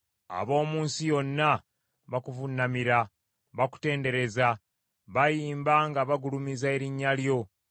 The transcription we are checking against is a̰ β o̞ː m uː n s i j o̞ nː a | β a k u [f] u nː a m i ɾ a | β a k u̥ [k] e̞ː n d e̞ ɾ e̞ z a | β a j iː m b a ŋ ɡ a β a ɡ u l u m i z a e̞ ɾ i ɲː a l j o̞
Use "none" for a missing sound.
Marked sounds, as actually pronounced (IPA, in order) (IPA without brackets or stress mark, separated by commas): v, t